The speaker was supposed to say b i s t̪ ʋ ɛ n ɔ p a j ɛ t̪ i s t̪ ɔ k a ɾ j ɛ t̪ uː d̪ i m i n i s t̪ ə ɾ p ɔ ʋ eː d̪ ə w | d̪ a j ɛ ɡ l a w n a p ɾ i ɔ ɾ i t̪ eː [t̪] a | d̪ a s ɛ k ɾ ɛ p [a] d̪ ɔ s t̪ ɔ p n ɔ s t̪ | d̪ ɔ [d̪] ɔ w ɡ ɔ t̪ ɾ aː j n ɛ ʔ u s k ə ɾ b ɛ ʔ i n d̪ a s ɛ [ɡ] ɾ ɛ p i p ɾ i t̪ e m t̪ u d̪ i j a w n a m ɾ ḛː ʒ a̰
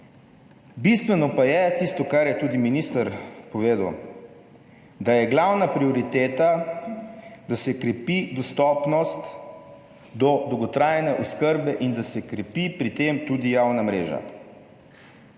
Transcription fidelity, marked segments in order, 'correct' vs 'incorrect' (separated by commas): correct, incorrect, correct, incorrect